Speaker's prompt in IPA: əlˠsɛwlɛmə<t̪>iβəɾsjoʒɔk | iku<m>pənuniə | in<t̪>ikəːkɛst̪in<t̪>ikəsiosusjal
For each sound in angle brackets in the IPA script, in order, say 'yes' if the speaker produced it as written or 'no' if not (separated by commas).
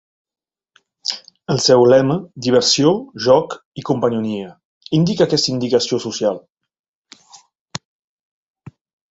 no, yes, no, no